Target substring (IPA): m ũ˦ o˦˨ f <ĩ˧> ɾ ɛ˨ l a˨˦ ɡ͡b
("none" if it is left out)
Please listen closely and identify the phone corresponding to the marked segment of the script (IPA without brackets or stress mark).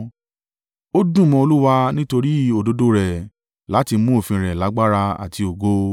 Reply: ĩ˧